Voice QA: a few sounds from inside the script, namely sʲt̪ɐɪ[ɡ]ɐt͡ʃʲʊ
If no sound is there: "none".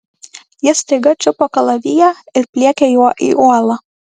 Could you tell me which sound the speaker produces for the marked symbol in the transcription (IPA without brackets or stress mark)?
ɡ